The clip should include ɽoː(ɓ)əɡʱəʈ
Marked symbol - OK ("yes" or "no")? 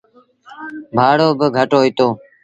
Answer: no